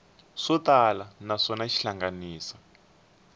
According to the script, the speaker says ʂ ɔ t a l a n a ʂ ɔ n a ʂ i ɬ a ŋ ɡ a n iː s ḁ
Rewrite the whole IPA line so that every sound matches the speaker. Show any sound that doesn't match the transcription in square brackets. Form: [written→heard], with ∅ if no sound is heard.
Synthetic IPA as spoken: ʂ ɔ t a l a n a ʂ ɔ n a [ʂ→ʃ] i ɬ a ŋ ɡ a n iː s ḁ